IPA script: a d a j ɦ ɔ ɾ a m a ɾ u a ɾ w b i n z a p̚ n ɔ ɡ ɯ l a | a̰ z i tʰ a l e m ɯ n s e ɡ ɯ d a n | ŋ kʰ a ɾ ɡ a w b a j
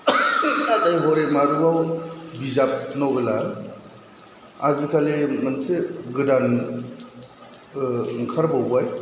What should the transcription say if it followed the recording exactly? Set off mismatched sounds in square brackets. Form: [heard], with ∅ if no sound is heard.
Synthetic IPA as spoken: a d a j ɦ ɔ ɾ [e] m a ɾ u a [∅] w b i [∅] z a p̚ n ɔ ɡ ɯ l a | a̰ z i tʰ a l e m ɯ n s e ɡ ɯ d a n | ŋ kʰ a ɾ [b] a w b a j

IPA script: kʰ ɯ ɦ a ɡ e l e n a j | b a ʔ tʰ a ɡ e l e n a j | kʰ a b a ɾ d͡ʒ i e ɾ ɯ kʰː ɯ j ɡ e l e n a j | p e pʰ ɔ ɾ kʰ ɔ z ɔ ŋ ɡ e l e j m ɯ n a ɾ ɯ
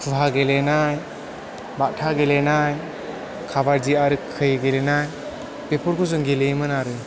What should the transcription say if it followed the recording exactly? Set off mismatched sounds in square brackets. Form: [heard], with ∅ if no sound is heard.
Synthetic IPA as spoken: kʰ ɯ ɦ a ɡ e l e n a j | b a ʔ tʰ a ɡ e l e n a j | kʰ a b a ɾ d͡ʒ i [a] ɾ ɯ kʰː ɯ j ɡ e l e n a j | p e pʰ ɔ ɾ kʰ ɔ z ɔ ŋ ɡ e l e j m ɯ n a ɾ ɯ

